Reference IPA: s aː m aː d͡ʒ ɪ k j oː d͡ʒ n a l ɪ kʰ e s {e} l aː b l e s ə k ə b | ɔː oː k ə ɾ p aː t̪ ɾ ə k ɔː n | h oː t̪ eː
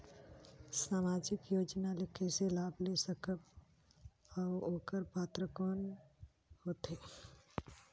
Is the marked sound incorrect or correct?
correct